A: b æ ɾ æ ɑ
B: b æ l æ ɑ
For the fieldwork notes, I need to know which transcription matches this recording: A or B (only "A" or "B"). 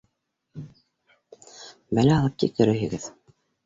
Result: B